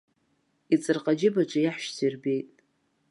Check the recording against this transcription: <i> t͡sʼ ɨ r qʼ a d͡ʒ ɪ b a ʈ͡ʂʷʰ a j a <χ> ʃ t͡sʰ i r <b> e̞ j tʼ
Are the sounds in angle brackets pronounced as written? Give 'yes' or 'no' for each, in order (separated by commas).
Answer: yes, no, yes